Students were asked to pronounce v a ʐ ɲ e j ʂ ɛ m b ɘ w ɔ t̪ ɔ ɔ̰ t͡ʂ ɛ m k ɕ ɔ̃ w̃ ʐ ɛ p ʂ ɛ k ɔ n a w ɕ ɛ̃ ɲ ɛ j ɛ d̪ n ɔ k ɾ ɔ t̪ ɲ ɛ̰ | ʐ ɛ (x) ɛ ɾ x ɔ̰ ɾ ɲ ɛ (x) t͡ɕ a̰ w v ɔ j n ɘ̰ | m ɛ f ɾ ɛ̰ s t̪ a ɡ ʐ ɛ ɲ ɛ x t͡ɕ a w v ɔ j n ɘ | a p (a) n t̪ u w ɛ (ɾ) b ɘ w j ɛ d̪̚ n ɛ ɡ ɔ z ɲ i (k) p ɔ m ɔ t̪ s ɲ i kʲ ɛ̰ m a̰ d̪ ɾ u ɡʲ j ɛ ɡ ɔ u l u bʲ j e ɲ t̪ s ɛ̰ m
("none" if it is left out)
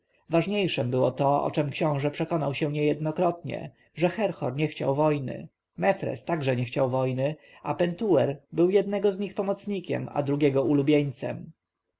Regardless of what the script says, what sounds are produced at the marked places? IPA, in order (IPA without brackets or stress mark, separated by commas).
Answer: x, x, ɛ, ɾ, x